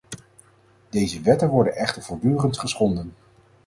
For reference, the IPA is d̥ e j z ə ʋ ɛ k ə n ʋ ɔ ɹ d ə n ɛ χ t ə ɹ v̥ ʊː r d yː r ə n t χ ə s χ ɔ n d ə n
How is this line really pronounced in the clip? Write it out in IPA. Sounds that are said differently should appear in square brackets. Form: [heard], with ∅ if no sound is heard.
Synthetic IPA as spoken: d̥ e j z ə ʋ ɛ [t] ə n ʋ ɔ ɹ d ə n ɛ χ t ə ɹ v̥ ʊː [ɹ] d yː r ə n t χ ə s χ ɔ n d ə n